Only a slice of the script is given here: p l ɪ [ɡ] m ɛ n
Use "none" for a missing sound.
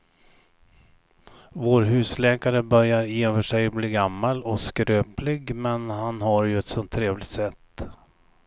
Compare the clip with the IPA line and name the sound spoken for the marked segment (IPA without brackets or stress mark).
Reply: ɡ